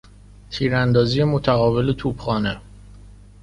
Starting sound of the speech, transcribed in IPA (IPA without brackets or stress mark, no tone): t̪ʰ